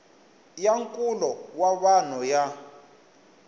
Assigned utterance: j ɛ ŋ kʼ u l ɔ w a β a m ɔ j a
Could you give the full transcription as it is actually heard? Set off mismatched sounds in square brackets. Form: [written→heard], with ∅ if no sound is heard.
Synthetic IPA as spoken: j [ɛ→a] ŋ kʼ u l ɔ w a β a [m→n] ɔ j a